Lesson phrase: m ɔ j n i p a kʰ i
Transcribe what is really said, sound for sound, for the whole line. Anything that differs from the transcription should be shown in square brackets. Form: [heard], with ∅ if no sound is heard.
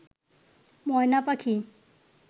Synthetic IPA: m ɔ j n [a] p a kʰ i

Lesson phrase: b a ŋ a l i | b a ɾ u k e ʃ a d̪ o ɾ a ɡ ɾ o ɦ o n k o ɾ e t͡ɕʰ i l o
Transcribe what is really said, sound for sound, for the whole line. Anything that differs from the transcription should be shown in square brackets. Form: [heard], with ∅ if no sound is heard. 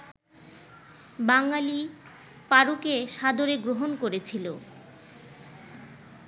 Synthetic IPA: b a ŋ a l i | [p] a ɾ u k e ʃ a d̪ o ɾ [e] ɡ ɾ o ɦ o n k o ɾ e t͡ɕʰ i l o

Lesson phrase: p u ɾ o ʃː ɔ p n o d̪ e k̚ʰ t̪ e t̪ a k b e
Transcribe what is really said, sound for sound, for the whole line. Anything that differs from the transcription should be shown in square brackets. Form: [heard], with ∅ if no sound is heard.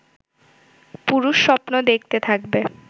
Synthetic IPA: p u ɾ [u] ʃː ɔ p n o d̪ e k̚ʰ t̪ e [t̪ʰ] a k b e

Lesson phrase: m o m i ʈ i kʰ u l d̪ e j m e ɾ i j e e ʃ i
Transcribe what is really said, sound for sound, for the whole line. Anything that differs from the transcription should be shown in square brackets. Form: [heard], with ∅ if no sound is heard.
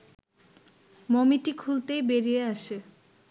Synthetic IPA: m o m i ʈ i kʰ u l [t̪] e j [b] e ɾ i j e [a] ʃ [e]

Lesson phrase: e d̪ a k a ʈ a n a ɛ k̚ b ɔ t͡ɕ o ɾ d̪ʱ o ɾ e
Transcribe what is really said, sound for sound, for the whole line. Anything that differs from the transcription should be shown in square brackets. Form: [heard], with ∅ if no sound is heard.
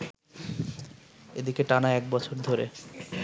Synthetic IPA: e d̪ [i] k [e] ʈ a n a ɛ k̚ b ɔ [t͡ɕʰ] o ɾ d̪ʱ o ɾ e

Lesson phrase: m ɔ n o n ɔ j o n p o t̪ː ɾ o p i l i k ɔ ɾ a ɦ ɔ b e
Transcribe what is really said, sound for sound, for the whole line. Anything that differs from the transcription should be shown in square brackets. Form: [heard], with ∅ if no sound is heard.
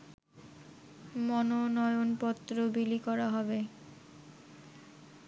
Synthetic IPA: m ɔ n o n ɔ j o n p [ɔ] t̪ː ɾ o [b] i l i k ɔ ɾ a ɦ ɔ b e

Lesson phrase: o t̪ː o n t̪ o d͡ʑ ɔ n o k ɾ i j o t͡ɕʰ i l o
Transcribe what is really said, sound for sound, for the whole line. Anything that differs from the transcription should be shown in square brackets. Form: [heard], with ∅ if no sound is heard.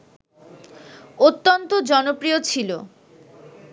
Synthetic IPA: o t̪ː o n t̪ o d͡ʑ ɔ n o [p] ɾ i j o t͡ɕʰ i l o

